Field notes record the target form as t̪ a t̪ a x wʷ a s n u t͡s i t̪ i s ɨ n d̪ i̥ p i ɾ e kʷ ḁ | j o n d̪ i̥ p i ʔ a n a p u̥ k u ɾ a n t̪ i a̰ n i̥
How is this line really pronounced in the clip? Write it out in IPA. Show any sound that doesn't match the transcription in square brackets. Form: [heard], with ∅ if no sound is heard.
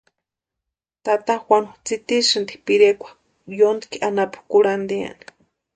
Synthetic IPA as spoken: t̪ a t̪ a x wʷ a [∅] n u t͡s i t̪ i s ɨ n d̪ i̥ p i ɾ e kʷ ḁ | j o n d̪ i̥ [k] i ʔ a n a p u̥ k u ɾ a n [d̪] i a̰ n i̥